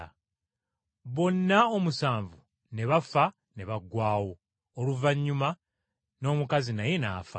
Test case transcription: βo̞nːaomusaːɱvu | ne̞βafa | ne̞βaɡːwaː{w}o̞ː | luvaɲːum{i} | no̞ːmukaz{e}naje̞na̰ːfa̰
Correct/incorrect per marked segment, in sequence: correct, incorrect: a, incorrect: i

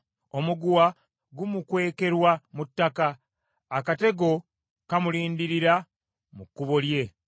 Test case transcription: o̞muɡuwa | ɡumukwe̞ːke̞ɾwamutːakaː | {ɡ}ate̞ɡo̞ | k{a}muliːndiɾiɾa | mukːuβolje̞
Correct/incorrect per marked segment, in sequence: incorrect: k, correct

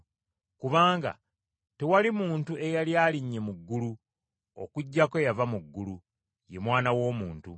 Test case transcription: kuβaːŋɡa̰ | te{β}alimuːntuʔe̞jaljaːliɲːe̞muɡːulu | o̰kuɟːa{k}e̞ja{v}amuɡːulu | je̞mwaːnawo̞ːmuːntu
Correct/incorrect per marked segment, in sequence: incorrect: w, correct, correct

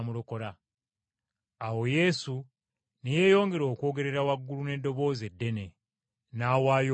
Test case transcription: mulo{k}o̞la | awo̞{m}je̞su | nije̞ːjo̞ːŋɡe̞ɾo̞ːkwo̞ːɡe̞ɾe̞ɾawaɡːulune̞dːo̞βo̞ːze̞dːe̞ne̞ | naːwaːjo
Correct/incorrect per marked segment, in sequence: correct, incorrect: none

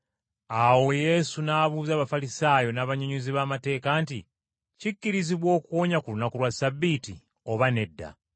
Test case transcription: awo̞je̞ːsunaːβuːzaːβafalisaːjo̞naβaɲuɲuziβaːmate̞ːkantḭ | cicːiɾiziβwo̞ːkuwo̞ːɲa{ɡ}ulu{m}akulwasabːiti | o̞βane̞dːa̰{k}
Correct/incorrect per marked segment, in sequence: incorrect: k, incorrect: n, incorrect: none

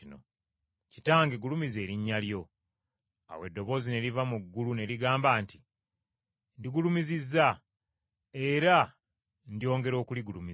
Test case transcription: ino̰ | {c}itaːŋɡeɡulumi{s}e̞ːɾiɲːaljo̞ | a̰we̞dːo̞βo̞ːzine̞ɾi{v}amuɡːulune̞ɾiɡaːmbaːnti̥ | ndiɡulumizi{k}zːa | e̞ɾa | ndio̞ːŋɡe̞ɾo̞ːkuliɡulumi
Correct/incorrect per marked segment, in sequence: correct, incorrect: z, correct, incorrect: none

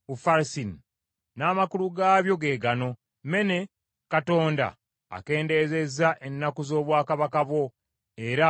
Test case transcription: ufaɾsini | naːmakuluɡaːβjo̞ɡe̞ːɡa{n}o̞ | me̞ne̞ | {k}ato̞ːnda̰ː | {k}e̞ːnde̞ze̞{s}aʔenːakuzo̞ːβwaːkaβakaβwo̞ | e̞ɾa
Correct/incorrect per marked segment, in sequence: correct, correct, correct, incorrect: z

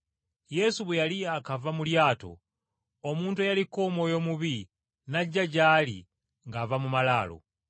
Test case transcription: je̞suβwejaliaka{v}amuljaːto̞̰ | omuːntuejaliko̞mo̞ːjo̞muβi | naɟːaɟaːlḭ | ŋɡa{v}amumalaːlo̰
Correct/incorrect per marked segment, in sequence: correct, correct

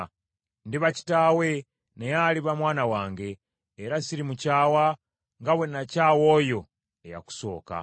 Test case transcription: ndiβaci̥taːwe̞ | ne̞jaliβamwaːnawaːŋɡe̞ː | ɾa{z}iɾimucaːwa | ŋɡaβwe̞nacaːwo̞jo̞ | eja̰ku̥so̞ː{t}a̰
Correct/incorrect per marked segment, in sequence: incorrect: s, incorrect: k

